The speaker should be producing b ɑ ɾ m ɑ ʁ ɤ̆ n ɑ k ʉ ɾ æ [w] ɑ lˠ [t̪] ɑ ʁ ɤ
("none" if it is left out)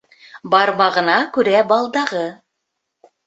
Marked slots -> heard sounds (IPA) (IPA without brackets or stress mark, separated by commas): b, d̪